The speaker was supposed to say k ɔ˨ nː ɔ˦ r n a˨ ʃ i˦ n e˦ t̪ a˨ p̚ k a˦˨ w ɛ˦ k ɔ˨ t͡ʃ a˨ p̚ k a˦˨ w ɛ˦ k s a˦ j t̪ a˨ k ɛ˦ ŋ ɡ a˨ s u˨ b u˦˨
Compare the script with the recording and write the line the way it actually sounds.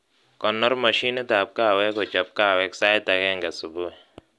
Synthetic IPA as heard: k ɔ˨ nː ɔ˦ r m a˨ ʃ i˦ n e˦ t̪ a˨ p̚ k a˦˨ w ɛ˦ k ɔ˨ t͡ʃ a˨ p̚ k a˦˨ w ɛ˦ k s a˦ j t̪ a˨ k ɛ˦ ŋ ɡ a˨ s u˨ b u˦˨